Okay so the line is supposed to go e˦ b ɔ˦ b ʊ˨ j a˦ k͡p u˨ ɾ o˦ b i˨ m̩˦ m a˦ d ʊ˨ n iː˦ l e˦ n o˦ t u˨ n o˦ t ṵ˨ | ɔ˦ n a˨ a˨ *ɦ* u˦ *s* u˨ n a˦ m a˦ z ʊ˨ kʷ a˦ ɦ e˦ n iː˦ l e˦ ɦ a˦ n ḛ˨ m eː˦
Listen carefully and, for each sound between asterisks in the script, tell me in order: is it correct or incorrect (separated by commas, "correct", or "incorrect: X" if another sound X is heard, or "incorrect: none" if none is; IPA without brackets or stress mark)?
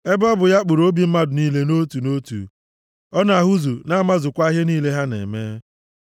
correct, incorrect: z